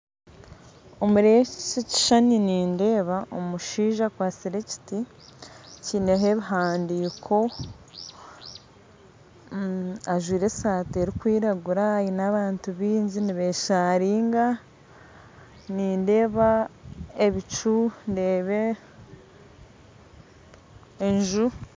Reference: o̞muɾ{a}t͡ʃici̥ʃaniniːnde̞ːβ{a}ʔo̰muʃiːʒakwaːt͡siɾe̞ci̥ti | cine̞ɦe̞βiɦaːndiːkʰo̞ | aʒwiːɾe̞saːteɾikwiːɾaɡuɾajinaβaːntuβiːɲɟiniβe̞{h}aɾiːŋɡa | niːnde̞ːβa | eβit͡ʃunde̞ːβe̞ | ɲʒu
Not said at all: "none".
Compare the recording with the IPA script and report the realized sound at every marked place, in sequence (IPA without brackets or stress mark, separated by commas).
e, a, ʃ